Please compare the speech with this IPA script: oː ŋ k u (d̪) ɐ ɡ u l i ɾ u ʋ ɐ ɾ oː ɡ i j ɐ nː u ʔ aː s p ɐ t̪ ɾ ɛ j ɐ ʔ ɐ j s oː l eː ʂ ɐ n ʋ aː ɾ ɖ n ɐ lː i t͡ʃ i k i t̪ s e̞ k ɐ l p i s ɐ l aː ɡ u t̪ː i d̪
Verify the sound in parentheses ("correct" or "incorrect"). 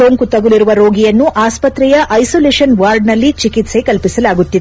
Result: incorrect